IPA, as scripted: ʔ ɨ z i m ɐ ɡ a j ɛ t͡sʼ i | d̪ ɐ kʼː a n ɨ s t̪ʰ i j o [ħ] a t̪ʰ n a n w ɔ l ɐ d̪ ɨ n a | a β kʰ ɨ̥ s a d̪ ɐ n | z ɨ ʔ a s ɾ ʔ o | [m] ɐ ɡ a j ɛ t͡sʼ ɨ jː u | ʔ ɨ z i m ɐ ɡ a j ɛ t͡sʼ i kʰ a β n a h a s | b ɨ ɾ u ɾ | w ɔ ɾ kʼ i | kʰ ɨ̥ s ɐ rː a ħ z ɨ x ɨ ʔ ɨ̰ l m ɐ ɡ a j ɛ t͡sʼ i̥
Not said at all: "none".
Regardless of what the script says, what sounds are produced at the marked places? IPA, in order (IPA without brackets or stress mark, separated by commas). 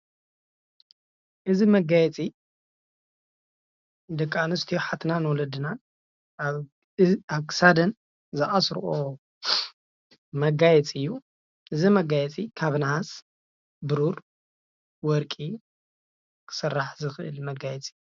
ħ, m